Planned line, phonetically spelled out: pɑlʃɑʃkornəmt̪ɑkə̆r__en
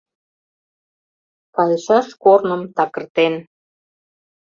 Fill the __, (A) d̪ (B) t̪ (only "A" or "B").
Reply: B